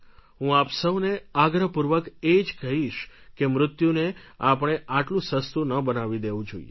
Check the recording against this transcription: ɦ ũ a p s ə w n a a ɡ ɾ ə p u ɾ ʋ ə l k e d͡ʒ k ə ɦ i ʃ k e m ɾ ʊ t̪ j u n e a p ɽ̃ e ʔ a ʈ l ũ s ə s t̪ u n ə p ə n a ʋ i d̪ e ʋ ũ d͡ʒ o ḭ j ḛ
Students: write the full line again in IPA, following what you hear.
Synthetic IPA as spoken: ɦ ũ a p s ə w n e a ɡ ɾ ə p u ɾ ʋ ə k e d͡ʒ k ə ɦ i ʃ k e m ɾ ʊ t̪ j u n e a p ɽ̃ e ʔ a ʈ l ũ s ə s t̪ u n ə b ə n a ʋ i d̪ e ʋ ũ d͡ʒ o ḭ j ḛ